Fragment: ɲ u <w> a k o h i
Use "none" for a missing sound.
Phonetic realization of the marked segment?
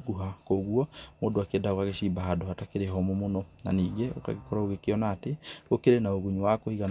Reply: w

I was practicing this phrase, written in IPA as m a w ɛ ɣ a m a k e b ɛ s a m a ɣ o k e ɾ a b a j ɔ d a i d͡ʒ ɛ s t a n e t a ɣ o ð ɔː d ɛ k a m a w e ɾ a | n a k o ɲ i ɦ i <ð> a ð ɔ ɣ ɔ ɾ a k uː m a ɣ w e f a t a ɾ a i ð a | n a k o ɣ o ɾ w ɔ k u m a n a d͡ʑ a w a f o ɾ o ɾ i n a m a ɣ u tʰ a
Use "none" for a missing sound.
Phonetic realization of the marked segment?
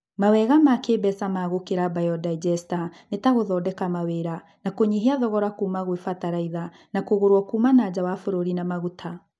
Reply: none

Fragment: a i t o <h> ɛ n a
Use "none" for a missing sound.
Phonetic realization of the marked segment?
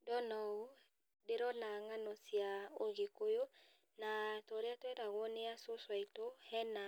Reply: h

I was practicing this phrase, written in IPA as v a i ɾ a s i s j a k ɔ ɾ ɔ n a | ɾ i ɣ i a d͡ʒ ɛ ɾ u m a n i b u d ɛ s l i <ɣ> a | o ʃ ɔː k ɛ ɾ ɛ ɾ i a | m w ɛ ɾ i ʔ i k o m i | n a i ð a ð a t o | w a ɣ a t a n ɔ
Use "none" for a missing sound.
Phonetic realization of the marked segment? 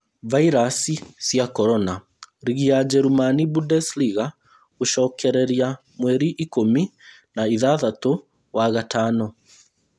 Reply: ɣ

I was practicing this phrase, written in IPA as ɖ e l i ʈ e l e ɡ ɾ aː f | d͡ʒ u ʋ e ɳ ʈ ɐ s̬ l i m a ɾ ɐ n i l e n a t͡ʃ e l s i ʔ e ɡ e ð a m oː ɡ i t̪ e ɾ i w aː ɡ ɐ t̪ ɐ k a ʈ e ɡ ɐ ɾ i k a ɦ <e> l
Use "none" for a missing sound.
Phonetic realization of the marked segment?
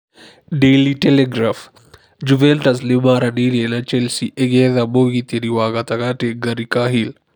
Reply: i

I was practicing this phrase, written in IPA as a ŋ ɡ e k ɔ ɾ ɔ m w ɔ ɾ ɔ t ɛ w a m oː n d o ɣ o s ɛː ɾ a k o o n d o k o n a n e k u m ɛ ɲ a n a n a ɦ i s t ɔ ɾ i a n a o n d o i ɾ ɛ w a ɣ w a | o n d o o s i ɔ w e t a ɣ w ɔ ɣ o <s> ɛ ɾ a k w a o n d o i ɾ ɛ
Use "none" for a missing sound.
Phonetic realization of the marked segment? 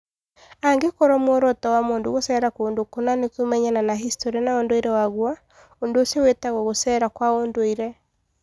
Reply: s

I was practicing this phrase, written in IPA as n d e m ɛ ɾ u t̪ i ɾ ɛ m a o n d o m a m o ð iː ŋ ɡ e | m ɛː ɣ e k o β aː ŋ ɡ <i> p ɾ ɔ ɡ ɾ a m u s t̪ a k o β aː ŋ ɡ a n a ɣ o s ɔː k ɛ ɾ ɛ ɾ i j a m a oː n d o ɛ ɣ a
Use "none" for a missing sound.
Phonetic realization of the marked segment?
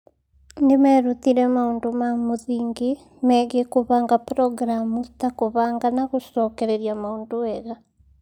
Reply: a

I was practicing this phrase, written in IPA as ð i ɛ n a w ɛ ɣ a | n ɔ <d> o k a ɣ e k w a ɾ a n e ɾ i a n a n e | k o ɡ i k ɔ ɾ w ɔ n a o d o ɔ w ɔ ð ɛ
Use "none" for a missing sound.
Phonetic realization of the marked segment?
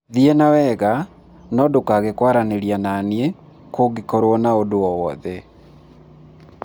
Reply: d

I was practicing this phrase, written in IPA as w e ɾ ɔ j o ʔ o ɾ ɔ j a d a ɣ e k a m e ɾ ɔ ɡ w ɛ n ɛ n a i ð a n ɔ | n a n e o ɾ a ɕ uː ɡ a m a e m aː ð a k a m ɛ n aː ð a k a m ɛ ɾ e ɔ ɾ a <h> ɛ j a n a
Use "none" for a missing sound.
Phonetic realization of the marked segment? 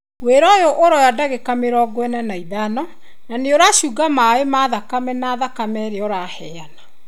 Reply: h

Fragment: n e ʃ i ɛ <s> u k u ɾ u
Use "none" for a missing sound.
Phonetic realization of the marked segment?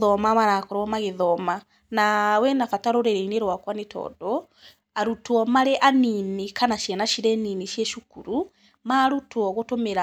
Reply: ʃ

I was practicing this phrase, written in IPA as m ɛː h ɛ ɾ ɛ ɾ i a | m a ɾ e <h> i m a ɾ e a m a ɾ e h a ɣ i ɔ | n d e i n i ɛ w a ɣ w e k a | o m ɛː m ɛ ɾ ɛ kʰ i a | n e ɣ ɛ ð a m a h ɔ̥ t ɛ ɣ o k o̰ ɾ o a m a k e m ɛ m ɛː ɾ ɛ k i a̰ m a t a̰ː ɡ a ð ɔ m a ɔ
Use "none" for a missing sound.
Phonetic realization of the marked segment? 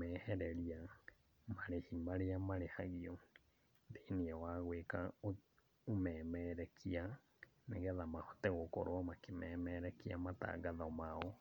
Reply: h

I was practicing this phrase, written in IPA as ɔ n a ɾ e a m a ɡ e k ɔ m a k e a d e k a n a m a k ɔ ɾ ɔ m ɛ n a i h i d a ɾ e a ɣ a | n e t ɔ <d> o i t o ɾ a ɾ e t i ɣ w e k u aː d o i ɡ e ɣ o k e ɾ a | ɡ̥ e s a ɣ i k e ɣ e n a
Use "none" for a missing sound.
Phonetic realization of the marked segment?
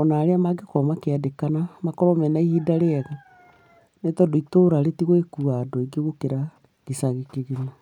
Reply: d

